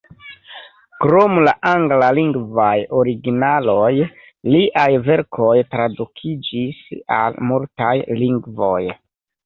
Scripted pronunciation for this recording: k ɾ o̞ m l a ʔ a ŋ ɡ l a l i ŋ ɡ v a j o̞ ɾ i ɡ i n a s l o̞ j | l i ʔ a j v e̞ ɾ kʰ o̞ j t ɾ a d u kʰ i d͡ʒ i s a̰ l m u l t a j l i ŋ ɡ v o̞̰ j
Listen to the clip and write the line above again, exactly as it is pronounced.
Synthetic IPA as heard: k ɾ o̞ m l a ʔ a ŋ ɡ l a l i ŋ ɡ v a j o̞ ɾ i ɡ i n a l o̞ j | l i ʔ a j v e̞ ɾ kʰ o̞ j t ɾ a d u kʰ i d͡ʒ i s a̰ l m u l t a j l i ŋ ɡ v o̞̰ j

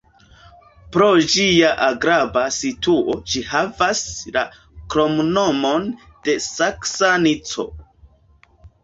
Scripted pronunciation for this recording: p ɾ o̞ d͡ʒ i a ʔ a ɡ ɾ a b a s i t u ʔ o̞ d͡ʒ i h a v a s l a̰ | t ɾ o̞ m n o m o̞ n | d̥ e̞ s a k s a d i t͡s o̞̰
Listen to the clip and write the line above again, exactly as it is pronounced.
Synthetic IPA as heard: p ɾ o̞ d͡ʒ i a ʔ a ɡ ɾ a b a s i t u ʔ o̞ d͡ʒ i h a v a s l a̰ | k ɾ o̞ m n o m o̞ n | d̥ e̞ s a k s a n i t͡s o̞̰

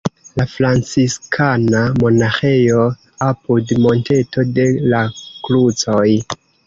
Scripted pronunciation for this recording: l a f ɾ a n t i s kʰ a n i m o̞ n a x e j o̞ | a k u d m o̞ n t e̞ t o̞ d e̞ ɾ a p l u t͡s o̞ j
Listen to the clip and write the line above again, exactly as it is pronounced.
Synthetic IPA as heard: l a f ɾ a n t͡s i s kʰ a n a m o̞ n a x e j o̞ | a p u d m o̞ n t e̞ t o̞ d e̞ l a k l u t͡s o̞ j

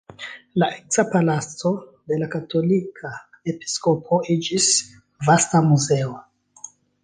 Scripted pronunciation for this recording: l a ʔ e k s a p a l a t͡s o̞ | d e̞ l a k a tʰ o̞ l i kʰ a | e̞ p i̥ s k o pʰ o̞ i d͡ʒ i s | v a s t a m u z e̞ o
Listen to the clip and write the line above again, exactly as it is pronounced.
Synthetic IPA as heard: l a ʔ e k s a p a l a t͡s o̞ | d e̞ l a k a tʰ o̞ l i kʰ a | e̞ p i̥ s k o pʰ o̞ i d͡ʒ i s | v a s t a m u z e̞ o

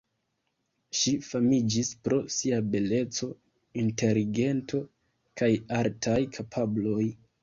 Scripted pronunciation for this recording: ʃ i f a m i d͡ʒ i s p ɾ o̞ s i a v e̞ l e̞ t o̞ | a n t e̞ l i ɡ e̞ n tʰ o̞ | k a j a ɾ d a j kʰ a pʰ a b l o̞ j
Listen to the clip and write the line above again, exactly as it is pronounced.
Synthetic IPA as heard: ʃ i f a m i d͡ʒ i s p ɾ o̞ s i a b e̞ l e̞ t͡s o̞ | i n t e̞ l i ɡ e̞ n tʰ o̞ | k a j a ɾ t a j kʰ a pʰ a b l o̞ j

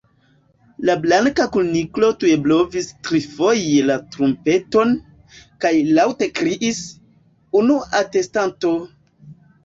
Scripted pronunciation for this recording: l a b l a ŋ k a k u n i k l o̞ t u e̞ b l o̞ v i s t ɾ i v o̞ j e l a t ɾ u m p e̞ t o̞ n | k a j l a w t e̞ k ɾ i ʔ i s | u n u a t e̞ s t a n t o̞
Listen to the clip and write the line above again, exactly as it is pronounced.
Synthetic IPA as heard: l a b l a ŋ k a k u n i k l o̞ t u e̞ b l o̞ v i s t ɾ i f o̞ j e l a t ɾ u m p e̞ t o̞ n | k a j l a w t e̞ k ɾ i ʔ i s | u n u a t e̞ s t a n t o̞

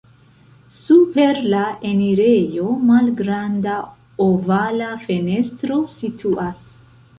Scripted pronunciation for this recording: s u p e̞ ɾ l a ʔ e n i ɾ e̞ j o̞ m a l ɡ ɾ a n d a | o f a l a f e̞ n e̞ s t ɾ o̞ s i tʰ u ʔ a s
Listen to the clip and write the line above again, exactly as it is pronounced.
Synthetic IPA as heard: s u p e̞ ɾ l a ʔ e n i ɾ e̞ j o̞ m a l ɡ ɾ a n d a | o v a l a f e̞ n e̞ s t ɾ o̞ s i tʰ u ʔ a s

